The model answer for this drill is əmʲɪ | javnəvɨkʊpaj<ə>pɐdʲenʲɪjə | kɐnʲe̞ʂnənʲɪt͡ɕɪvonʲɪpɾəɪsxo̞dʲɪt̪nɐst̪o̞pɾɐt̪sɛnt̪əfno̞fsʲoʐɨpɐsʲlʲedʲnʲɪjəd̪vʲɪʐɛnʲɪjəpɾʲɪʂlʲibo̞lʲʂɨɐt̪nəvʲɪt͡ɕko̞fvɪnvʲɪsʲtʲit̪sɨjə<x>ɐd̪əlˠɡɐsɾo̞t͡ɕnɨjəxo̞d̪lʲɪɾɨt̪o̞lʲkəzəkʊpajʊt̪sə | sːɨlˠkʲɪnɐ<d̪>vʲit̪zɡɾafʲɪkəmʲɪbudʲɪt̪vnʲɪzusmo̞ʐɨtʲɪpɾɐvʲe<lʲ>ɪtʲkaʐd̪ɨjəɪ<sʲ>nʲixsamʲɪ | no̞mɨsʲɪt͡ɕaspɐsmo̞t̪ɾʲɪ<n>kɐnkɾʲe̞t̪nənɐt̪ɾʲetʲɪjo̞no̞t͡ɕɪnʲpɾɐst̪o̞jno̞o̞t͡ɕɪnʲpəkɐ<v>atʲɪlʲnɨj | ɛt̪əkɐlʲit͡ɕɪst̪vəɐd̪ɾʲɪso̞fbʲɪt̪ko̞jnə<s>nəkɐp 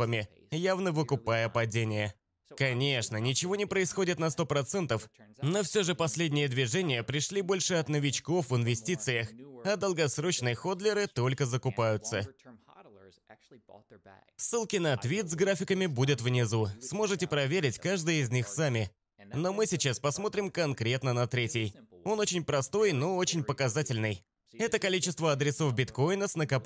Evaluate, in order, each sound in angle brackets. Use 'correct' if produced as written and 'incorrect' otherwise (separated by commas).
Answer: correct, correct, incorrect, incorrect, incorrect, incorrect, incorrect, correct